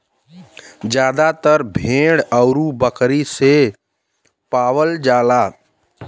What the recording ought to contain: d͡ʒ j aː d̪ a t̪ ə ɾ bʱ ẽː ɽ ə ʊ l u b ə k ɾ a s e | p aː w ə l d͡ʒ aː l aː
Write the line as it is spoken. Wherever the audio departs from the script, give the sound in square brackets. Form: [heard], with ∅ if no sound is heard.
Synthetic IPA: d͡ʒ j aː d̪ a t̪ ə ɾ bʱ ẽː ɽ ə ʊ [ɾ] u b ə k ɾ [i] s e | p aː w ə l d͡ʒ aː l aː